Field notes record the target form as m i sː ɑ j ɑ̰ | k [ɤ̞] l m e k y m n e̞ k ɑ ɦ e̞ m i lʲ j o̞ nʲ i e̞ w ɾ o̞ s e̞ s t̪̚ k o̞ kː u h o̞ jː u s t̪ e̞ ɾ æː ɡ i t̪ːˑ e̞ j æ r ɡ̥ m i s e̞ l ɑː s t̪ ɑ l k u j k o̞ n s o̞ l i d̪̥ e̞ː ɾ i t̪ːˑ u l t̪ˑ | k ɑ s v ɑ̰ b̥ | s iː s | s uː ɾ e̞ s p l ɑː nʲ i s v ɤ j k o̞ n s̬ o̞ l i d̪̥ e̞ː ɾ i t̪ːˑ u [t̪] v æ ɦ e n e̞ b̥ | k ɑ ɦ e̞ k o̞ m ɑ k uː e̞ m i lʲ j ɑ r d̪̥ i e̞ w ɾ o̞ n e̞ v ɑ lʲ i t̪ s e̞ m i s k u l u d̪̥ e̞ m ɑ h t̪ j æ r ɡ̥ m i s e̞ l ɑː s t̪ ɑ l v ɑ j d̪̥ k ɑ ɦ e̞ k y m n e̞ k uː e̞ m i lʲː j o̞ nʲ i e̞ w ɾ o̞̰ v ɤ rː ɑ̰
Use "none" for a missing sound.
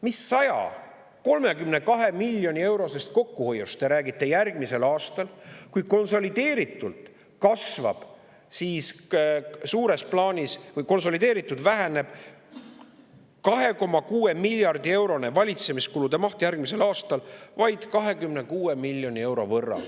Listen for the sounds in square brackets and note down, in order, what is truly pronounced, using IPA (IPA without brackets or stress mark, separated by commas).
o̞, d̪